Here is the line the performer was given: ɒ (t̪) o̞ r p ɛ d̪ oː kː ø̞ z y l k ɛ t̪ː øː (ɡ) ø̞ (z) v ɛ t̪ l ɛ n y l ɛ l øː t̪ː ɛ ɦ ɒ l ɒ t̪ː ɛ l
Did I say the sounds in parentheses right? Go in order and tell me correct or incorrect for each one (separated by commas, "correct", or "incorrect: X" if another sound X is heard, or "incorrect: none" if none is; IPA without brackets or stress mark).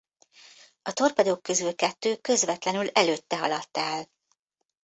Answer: correct, incorrect: k, correct